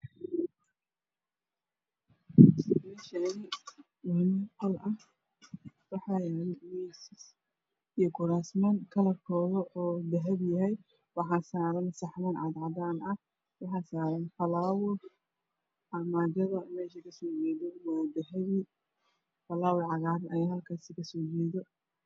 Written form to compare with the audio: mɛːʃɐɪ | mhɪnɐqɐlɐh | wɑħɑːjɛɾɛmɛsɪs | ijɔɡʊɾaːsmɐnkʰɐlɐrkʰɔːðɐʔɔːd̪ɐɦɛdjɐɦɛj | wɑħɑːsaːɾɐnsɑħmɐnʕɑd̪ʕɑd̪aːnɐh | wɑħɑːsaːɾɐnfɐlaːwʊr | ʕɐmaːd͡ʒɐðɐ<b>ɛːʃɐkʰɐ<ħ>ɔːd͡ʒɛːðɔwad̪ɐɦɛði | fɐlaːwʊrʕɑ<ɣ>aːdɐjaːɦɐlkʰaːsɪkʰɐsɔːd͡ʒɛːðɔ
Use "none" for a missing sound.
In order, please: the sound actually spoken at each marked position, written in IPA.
m, s, ɣ

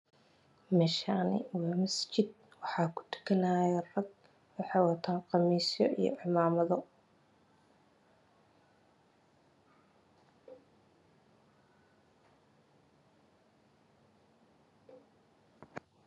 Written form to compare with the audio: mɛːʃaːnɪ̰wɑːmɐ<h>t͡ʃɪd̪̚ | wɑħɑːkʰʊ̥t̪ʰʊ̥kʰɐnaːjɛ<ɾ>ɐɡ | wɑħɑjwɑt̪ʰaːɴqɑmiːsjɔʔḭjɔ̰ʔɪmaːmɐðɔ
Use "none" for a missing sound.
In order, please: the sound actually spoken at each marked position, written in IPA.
s, r

